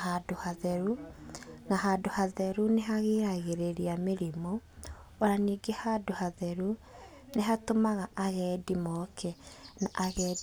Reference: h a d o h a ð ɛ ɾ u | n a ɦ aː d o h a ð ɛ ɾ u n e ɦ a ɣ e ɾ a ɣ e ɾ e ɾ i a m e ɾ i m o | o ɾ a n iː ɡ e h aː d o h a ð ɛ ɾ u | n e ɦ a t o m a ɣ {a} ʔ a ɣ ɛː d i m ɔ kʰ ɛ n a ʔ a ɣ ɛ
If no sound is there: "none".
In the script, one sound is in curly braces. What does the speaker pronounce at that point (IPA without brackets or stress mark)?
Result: a